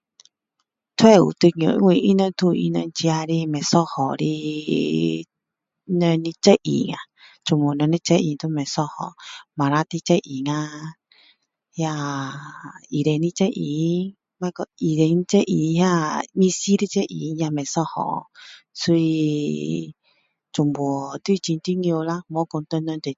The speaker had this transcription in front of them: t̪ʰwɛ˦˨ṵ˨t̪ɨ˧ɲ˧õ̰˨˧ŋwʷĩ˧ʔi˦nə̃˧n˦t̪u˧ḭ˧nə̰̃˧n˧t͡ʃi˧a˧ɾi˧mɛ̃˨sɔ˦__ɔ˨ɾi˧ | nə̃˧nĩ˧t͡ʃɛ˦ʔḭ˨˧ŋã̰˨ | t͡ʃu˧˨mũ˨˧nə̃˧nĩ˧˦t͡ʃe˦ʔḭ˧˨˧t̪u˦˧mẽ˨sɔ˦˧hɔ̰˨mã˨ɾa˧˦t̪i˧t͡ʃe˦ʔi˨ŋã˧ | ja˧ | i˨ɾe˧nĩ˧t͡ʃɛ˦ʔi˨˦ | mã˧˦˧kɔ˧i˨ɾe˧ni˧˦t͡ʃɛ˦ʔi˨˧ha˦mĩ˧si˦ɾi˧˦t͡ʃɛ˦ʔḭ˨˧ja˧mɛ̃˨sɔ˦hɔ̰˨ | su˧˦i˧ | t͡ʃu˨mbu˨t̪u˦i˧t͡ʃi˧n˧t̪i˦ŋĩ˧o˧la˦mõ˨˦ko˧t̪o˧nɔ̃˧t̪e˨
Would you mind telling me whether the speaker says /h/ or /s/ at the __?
h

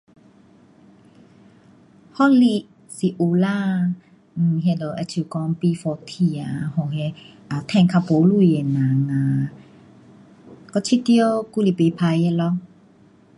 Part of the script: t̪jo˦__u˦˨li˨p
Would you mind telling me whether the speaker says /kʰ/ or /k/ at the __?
k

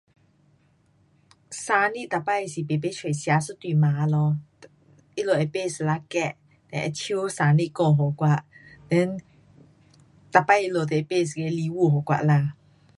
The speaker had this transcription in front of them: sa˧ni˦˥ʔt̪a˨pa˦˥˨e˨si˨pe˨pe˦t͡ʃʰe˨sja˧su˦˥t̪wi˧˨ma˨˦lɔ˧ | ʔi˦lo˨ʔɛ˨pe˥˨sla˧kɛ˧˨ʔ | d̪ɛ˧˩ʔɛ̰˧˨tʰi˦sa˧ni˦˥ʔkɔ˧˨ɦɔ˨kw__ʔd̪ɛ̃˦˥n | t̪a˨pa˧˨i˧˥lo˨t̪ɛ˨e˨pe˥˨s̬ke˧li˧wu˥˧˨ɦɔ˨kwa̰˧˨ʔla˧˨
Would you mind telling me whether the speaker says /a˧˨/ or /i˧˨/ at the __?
a˧˨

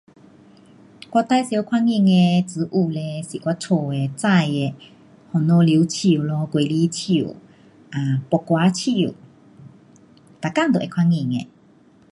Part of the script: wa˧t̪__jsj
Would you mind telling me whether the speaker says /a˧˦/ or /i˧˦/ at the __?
a˧˦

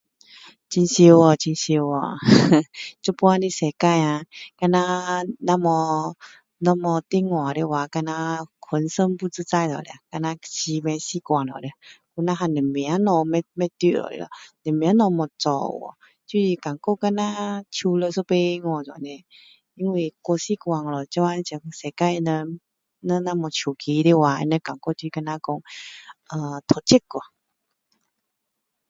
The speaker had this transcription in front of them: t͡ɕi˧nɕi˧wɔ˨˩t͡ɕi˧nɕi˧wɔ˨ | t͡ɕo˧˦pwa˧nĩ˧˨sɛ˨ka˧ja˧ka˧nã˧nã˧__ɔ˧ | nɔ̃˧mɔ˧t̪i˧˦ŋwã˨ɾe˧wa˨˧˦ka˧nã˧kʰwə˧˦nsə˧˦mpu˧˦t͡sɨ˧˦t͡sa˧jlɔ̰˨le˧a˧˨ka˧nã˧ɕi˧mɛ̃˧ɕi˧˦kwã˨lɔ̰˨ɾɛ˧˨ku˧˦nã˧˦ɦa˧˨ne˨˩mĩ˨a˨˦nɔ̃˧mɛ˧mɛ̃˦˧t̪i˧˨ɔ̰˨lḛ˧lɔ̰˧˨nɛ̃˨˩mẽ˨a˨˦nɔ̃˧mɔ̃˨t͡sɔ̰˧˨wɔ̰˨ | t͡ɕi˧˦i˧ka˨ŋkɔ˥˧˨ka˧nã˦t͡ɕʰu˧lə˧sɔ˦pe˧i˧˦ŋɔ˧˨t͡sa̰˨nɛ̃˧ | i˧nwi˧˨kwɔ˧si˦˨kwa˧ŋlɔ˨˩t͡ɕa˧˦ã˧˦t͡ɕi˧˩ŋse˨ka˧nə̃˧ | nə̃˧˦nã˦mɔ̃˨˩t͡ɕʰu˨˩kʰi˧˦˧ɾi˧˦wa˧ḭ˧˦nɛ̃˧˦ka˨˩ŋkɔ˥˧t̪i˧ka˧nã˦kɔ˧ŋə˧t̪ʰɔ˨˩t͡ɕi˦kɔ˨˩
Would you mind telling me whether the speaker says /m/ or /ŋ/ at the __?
m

